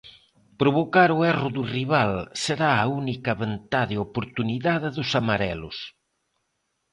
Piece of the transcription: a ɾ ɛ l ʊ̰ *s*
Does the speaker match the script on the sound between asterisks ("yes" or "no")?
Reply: yes